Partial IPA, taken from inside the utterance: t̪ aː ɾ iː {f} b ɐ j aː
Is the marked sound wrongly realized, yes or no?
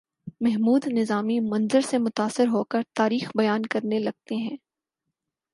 yes